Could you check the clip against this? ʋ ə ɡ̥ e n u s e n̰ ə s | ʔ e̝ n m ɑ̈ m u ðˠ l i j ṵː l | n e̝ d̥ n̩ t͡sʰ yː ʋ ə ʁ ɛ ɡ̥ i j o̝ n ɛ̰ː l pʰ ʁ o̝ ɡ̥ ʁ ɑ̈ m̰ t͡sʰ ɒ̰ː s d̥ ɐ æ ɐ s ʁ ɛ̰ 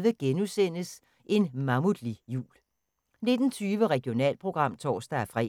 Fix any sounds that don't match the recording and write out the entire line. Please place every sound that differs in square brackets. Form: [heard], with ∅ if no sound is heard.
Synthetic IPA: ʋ ə ɡ̥ e n u s e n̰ ə s | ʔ e̝ n m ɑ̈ m u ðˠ l i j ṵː l | n e̝ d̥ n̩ t͡sʰ yː ʋ ə ʁ ɛ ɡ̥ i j o̝ n ɛ̰ː l pʰ ʁ o̝ ɡ̥ ʁ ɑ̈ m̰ t͡sʰ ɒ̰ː s d̥ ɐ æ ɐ [f] ʁ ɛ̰

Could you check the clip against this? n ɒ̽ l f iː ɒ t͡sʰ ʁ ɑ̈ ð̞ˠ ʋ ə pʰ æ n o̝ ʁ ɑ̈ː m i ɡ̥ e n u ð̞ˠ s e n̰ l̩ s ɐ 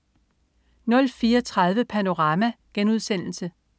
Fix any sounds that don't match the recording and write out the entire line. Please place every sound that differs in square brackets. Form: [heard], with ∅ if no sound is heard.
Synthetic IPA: n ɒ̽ l f iː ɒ t͡sʰ ʁ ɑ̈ ð̞ˠ ʋ ə pʰ æ n o̝ ʁ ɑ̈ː m [æ] ɡ̥ e n u ð̞ˠ s e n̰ l̩ s [ə]

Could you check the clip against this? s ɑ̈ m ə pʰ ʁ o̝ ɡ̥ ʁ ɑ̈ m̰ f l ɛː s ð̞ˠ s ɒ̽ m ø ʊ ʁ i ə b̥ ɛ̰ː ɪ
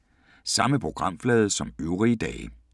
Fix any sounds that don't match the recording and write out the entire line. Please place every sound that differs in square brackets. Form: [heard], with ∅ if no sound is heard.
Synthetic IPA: s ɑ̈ m ə pʰ ʁ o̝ ɡ̥ ʁ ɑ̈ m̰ f l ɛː [∅] ð̞ˠ s ɒ̽ m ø ʊ ʁ i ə [d̥] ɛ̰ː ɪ

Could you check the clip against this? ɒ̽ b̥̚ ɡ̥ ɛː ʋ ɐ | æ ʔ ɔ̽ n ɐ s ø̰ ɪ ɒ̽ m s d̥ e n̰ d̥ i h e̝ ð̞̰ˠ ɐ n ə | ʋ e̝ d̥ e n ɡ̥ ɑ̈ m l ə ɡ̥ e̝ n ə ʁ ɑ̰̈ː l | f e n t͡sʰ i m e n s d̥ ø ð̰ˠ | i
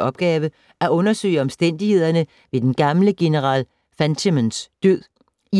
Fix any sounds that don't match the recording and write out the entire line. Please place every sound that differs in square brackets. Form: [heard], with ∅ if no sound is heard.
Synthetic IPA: ɒ̽ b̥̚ ɡ̥ ɛː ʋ [ə] | æ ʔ ɔ̽ n ɐ s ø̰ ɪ ɒ̽ m s d̥ e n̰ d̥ i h e̝ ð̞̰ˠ ɐ n ə | ʋ e̝ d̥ e n ɡ̥ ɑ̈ m l ə ɡ̥ e̝ n ə ʁ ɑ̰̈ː l | f [æ] n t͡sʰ i m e n s d̥ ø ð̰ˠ | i

